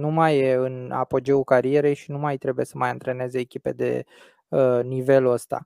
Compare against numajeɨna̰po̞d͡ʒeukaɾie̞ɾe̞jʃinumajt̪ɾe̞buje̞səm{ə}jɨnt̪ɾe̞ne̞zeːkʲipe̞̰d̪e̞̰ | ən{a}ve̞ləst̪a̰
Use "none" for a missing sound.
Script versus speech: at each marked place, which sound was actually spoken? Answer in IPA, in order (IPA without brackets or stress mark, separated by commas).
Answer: a, i